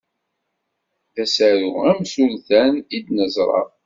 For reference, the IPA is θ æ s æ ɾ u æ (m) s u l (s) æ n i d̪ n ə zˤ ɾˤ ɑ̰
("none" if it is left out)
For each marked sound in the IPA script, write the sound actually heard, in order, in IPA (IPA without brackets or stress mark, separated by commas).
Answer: m, θ